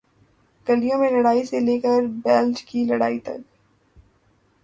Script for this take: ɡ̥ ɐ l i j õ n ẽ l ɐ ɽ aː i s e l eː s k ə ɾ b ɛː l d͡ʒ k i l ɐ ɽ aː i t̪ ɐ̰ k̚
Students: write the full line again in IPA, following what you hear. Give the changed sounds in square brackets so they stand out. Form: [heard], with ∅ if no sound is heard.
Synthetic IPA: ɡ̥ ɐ l i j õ [m] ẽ l ɐ ɽ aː i s e l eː [∅] k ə ɾ b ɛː l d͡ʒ k i l ɐ ɽ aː i t̪ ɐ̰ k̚